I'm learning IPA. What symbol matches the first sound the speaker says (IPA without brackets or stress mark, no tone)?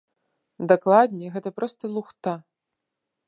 d̪